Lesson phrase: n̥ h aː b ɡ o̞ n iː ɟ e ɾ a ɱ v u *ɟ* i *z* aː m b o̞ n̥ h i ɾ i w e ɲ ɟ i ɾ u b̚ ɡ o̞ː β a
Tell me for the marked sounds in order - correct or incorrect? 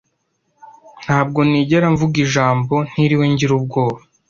incorrect: ɡ, incorrect: ʒ

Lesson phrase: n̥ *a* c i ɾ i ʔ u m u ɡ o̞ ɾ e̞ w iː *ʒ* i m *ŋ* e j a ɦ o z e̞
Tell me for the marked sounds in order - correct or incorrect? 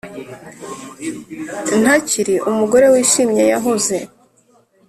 correct, incorrect: ʃ, incorrect: ɲ

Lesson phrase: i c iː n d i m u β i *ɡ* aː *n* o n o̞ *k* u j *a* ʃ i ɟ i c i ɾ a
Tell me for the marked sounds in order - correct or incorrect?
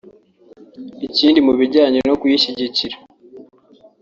incorrect: ɟ, incorrect: ɲ, correct, incorrect: i

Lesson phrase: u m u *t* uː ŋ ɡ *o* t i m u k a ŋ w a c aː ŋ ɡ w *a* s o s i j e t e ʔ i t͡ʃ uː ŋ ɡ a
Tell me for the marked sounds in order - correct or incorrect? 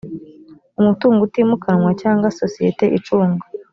correct, incorrect: u, correct

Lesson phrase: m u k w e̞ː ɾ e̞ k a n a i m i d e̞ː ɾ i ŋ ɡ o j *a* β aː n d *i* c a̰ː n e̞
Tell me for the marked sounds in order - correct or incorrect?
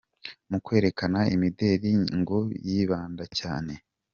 incorrect: i, incorrect: a

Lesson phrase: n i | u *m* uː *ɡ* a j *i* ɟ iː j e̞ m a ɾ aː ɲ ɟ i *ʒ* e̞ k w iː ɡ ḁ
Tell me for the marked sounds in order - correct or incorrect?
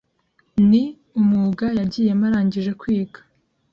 correct, correct, incorrect: a, correct

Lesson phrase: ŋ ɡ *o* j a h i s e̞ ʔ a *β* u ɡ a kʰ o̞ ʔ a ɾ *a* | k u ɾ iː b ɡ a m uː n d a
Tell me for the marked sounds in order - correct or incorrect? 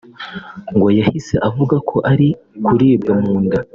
correct, incorrect: v, incorrect: i

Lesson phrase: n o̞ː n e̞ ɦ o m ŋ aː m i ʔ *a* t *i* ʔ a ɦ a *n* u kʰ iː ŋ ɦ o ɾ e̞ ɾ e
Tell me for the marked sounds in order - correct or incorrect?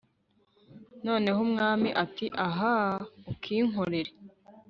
correct, correct, incorrect: none

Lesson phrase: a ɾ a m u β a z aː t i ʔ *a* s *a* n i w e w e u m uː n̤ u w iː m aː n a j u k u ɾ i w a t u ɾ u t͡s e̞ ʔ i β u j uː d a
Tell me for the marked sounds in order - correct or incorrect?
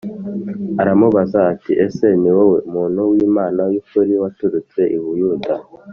incorrect: e, incorrect: e

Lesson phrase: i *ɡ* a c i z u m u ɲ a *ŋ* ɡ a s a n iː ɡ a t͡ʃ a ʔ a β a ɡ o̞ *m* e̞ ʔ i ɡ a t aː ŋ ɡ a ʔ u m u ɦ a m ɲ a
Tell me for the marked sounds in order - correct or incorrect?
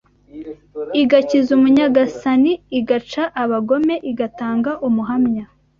correct, incorrect: none, correct

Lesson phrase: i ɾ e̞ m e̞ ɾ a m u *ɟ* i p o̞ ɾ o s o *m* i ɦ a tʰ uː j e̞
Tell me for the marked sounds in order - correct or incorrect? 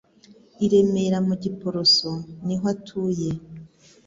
correct, incorrect: n

